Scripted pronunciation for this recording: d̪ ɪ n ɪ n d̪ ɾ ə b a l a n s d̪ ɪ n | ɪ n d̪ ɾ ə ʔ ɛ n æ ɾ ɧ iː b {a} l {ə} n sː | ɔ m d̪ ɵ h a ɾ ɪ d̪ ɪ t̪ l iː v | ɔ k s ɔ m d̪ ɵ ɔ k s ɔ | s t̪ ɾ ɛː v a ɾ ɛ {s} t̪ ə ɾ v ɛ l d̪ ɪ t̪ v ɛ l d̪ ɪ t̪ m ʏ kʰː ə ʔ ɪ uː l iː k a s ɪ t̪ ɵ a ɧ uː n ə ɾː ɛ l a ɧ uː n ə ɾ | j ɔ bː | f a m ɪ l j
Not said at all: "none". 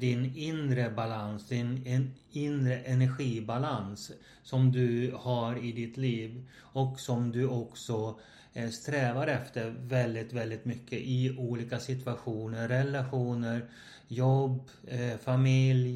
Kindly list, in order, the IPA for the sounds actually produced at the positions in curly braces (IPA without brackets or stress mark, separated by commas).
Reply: a, a, f